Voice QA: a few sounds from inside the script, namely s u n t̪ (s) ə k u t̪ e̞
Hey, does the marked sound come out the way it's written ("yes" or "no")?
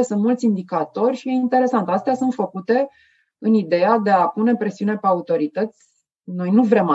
no